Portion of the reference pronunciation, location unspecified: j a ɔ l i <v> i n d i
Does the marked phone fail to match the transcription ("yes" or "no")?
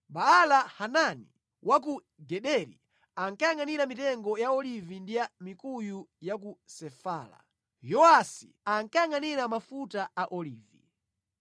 no